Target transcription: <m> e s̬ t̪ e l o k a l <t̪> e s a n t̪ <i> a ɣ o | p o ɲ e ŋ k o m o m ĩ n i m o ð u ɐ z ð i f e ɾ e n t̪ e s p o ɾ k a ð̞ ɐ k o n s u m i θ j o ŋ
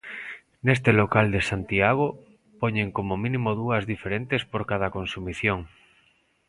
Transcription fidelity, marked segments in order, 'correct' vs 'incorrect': incorrect: n, incorrect: d̪, correct

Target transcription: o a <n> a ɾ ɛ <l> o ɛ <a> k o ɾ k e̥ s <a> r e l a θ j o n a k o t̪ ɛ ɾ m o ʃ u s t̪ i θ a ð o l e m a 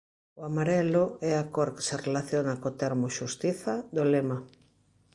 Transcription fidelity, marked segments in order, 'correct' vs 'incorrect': incorrect: m, correct, correct, incorrect: e

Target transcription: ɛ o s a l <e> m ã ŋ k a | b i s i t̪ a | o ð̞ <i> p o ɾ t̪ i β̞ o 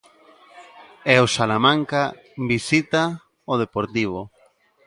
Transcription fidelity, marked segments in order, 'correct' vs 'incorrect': incorrect: a, incorrect: e

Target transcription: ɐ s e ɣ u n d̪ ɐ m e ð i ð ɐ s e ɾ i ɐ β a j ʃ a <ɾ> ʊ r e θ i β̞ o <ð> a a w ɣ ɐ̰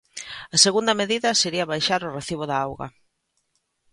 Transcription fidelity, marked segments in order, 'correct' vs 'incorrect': correct, correct

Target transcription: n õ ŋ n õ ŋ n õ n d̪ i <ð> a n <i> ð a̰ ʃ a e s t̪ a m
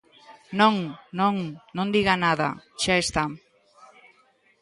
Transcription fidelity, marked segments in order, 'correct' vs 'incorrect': incorrect: ɣ, incorrect: a

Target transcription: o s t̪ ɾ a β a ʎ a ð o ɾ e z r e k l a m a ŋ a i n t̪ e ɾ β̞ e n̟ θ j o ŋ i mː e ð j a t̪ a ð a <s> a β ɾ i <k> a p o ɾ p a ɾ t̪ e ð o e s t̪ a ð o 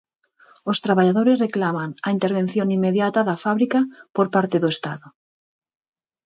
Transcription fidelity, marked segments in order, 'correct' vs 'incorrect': incorrect: f, correct

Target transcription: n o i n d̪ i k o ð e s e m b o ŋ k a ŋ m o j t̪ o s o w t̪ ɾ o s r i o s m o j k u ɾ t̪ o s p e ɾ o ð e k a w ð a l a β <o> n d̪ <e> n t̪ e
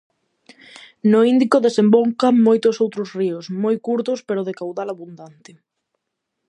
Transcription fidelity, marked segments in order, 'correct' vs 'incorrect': incorrect: u, incorrect: a

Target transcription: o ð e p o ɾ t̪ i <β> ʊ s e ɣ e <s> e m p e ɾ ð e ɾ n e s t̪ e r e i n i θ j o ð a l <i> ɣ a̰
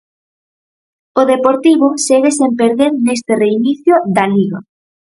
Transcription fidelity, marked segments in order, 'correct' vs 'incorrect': correct, correct, correct

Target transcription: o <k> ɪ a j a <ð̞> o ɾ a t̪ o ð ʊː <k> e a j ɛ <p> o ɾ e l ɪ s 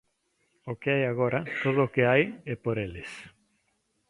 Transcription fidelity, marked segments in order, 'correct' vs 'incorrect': correct, incorrect: ɣ̞, correct, correct

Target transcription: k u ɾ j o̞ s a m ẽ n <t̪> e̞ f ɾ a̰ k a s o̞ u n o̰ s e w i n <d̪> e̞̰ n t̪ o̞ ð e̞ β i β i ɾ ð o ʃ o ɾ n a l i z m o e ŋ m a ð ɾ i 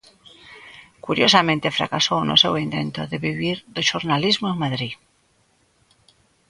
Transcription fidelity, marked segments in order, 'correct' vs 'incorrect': correct, incorrect: t̪

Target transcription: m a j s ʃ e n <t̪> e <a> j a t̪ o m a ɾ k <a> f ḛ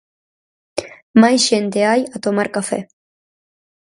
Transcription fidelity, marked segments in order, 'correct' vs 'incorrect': correct, correct, correct

